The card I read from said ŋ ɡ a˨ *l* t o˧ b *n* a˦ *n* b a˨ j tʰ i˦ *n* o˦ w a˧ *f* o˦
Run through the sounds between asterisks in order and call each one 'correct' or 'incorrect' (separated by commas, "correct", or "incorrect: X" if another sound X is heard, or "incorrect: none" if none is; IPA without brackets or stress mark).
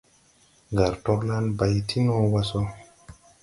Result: incorrect: ɾ, correct, correct, correct, incorrect: s